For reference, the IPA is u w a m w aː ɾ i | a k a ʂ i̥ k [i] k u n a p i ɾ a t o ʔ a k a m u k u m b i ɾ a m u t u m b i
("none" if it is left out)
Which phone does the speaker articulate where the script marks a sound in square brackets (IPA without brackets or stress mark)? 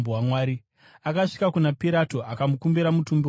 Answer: a